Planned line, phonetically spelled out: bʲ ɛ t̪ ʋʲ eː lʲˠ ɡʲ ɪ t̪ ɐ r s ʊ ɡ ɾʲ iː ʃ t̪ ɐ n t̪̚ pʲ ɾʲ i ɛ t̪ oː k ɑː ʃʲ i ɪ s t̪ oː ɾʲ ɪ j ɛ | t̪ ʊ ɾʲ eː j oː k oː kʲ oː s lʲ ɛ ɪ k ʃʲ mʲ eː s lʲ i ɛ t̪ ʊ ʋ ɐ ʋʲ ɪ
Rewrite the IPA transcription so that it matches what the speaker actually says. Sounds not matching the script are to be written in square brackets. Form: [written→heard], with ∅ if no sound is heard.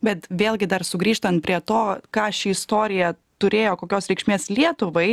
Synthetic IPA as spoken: bʲ ɛ t̪ ʋʲ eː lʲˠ ɡʲ ɪ [t̪→d̪] ɐ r s ʊ ɡ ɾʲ iː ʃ t̪ ɐ n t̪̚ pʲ ɾʲ i ɛ t̪ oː k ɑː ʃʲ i ɪ s t̪ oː ɾʲ ɪ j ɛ | t̪ ʊ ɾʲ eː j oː k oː kʲ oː s [lʲ→ɾʲ] ɛ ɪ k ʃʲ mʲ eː s lʲ i ɛ t̪ ʊ ʋ ɐ [ʋʲ→∅] ɪ